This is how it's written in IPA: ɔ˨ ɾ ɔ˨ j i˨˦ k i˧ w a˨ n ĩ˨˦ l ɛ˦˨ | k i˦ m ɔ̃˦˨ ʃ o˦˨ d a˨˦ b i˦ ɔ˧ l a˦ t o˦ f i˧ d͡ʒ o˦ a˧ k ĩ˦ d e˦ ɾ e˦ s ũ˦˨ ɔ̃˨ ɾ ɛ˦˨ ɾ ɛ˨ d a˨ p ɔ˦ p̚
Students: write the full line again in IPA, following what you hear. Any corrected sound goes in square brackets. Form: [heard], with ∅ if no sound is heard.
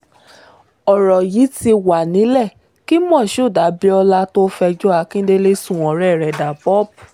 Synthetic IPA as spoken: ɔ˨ ɾ ɔ˨ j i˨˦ [t] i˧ w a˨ n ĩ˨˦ l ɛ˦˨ | k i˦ m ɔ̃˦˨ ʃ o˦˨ d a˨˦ b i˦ ɔ˧ l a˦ t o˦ f [ɛ˧] d͡ʒ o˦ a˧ k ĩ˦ d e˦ [l] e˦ s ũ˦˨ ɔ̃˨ ɾ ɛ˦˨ ɾ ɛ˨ d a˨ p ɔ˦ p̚